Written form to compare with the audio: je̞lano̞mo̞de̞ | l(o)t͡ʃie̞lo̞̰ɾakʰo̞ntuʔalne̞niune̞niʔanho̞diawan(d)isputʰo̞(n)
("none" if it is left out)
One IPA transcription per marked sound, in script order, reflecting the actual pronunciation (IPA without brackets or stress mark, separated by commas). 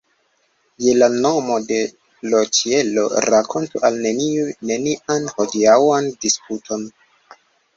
o, d, n